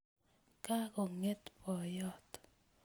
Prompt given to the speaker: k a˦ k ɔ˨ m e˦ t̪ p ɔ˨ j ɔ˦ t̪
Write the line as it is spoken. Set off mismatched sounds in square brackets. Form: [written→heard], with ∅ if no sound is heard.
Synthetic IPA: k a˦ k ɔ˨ [m→ŋ] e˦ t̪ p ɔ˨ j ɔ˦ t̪